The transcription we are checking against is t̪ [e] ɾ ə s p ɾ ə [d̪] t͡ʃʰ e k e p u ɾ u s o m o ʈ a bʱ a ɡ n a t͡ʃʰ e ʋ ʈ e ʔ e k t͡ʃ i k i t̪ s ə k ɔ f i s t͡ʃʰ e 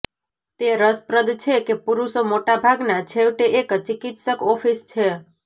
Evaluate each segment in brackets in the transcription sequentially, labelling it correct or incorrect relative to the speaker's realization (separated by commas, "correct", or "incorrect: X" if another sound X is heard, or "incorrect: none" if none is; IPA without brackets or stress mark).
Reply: correct, correct